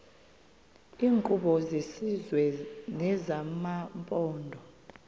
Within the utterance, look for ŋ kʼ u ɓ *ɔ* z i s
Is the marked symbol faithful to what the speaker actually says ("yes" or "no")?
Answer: yes